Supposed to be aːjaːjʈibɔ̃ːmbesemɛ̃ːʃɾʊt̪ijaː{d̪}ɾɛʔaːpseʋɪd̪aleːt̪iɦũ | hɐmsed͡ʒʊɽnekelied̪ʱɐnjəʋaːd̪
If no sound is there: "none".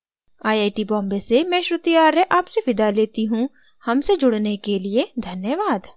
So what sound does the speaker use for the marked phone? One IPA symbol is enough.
none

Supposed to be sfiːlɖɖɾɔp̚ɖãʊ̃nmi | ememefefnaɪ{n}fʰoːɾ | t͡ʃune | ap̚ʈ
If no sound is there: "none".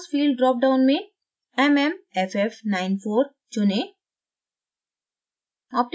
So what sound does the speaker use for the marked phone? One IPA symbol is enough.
n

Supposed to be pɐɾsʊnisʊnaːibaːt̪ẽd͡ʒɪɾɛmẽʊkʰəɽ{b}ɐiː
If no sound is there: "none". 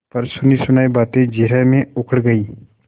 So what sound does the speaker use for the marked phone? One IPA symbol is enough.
ɡ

